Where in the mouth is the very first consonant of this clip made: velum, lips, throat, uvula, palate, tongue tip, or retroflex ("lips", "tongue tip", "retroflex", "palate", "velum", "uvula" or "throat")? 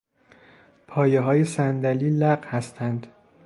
lips